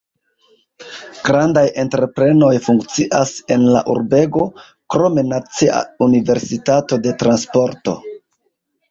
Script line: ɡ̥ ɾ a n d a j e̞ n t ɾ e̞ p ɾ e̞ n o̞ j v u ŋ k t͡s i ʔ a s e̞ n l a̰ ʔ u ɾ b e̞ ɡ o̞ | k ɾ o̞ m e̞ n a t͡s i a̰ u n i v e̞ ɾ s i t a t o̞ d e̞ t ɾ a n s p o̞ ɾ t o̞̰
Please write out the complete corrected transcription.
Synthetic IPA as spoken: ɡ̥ ɾ a n d a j e̞ n t ɾ e̞ p ɾ e̞ n o̞ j f u ŋ k t͡s i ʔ a s e̞ n l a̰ ʔ u ɾ b e̞ ɡ o̞ | k ɾ o̞ m e̞ n a t͡s i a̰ u n i v e̞ ɾ s i t a t o̞ d e̞ t ɾ a n s p o̞ ɾ t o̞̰